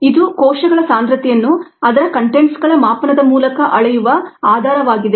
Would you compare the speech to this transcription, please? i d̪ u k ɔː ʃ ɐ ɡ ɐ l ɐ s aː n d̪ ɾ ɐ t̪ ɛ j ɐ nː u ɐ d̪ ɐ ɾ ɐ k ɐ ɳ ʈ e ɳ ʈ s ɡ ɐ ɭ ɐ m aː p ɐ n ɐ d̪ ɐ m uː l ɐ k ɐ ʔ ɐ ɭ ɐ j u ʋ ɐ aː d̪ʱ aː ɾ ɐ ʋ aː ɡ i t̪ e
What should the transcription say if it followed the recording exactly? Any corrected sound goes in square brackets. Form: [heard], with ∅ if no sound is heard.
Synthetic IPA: i d̪ u k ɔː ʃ ɐ ɡ ɐ [ɭ] ɐ s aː n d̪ ɾ ɐ t̪ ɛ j ɐ nː u ɐ d̪ ɐ ɾ ɐ k ɐ ɳ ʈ e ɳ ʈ s ɡ ɐ ɭ ɐ m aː p ɐ n ɐ d̪ ɐ m uː l ɐ k ɐ ʔ ɐ ɭ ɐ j u ʋ ɐ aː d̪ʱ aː ɾ ɐ ʋ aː ɡ i [d̪] e